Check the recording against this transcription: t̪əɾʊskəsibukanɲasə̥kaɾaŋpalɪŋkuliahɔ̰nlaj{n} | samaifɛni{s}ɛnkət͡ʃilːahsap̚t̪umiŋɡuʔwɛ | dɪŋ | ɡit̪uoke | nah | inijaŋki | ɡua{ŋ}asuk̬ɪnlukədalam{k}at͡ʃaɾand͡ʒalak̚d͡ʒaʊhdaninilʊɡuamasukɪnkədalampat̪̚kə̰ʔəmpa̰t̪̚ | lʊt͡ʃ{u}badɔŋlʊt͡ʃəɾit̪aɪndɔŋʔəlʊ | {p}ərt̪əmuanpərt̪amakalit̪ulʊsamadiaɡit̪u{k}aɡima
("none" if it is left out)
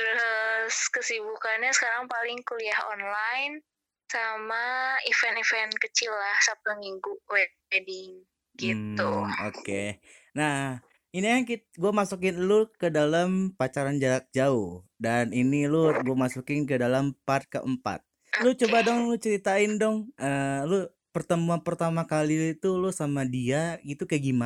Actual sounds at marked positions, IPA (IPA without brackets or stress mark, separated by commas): n, f, m, p, o, p, k